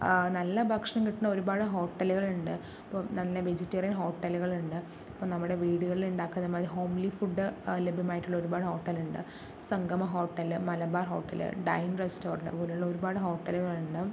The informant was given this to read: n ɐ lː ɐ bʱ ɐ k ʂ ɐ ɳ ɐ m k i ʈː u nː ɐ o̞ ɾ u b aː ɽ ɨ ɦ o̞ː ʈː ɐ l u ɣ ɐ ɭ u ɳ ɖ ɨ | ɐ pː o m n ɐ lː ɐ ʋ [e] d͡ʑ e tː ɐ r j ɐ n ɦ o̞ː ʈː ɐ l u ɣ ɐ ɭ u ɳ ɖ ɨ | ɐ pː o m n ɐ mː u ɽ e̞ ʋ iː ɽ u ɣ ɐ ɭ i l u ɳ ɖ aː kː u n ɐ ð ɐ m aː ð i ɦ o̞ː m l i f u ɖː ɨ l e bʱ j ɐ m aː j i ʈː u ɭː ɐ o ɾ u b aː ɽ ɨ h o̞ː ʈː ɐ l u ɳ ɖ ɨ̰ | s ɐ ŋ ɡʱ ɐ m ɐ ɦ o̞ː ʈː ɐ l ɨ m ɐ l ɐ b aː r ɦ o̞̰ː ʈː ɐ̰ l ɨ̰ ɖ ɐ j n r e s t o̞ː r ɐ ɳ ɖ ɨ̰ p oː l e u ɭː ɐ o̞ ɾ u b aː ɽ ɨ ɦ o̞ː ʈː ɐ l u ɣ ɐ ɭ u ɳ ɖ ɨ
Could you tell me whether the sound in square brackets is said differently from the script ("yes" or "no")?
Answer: no